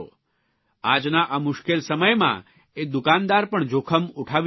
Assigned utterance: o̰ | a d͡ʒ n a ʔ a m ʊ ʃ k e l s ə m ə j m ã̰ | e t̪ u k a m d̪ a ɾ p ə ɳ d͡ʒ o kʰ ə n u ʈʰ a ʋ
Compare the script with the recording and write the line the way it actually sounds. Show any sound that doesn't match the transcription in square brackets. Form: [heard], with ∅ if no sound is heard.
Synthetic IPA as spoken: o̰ | a d͡ʒ n a ʔ a m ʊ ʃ k e l s ə m ə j m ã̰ | e [d̪] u k a [n] d̪ a ɾ p ə ɳ d͡ʒ o kʰ ə [m] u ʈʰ a ʋ